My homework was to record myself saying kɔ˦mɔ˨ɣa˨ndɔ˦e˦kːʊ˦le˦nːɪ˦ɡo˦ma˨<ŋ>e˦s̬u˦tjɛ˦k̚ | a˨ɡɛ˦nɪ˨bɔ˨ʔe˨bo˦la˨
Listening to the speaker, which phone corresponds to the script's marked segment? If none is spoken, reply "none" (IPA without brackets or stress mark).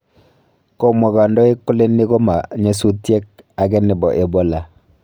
ɲ